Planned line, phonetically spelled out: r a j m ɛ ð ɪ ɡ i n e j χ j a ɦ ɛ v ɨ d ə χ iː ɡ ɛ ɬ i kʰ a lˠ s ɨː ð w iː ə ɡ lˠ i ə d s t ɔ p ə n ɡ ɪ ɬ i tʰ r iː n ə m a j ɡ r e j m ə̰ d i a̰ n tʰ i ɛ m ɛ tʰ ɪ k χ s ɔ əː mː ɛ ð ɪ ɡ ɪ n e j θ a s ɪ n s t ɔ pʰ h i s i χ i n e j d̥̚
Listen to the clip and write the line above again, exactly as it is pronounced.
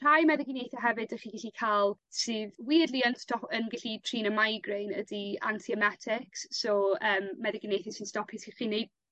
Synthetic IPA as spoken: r a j m ɛ ð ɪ ɡ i n e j θ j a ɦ ɛ v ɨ d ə χ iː ɡ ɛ ɬ i kʰ a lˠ s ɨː ð w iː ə d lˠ i ə n s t ɔ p ə n ɡ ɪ ɬ i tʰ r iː n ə m a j ɡ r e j n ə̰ d i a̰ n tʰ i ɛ m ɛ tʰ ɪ k s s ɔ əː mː ɛ ð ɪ ɡ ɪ n e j θ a s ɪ n s t ɔ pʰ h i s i χ i n e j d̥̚